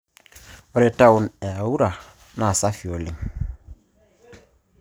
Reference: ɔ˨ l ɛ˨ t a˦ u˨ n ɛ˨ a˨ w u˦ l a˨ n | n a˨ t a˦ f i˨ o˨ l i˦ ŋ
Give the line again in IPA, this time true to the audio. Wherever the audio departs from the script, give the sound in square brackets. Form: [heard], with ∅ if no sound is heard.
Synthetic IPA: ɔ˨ [ɾ] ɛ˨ t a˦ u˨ n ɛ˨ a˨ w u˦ [ɾ] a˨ [∅] | n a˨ [s] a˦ f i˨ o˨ l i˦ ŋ